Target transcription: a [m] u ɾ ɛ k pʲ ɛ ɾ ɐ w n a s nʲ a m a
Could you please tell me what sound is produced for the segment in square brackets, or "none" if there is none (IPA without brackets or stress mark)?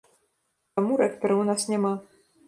m